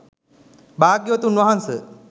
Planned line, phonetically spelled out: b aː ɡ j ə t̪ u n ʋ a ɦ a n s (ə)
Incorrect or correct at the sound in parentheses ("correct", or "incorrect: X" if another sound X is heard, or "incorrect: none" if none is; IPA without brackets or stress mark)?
correct